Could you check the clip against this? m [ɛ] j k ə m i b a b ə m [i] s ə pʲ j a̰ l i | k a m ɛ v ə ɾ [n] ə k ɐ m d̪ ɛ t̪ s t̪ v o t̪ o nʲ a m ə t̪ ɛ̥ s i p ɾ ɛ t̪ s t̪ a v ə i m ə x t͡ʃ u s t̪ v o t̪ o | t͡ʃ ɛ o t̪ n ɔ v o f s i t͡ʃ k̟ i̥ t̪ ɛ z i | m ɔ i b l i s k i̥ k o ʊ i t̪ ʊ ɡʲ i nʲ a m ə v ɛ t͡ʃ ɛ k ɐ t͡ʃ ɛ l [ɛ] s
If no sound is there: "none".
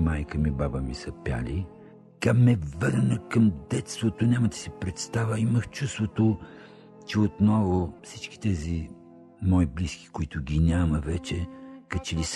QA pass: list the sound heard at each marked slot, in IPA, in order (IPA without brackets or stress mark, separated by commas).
a, i, n, i